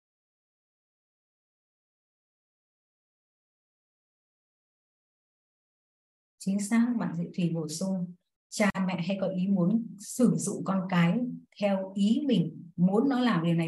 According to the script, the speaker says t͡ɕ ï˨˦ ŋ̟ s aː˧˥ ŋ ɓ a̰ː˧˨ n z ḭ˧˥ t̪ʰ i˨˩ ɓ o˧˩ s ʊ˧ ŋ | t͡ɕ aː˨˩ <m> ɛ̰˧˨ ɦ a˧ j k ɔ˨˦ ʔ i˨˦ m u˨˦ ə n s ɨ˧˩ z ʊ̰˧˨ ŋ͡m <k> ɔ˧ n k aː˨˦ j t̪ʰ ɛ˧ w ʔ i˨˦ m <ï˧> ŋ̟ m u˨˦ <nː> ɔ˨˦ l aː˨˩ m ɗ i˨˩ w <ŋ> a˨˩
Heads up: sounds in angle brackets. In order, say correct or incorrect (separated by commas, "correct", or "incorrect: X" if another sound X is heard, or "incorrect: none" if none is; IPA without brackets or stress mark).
correct, correct, incorrect: ï˨˩, correct, incorrect: n